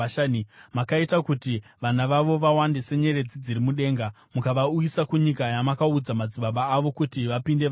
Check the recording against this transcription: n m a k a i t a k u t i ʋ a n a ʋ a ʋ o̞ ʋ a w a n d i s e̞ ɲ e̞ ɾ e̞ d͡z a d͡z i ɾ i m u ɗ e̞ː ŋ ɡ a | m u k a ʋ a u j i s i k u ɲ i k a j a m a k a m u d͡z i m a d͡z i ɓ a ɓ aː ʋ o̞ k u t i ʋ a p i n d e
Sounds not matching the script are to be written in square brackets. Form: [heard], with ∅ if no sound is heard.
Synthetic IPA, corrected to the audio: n m a k a i t a k u t i ʋ a n a ʋ a ʋ o̞ ʋ a w a n d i s e̞ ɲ e̞ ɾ e̞ d͡z [i] d͡z i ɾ i m u ɗ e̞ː ŋ ɡ a | m u k a ʋ a u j i s [a] k u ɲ i k a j a m a k a [∅] u d͡z [a] m a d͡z i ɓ a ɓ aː ʋ o̞ k u t i ʋ a p i n d e